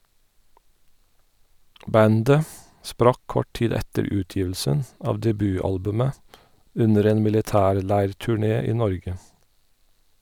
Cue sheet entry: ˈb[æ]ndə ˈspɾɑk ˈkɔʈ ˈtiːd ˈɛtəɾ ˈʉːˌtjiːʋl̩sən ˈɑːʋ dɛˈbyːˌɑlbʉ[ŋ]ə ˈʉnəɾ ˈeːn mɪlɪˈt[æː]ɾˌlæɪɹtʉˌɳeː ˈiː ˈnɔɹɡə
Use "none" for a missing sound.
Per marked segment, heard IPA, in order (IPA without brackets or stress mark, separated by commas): æ, m, æː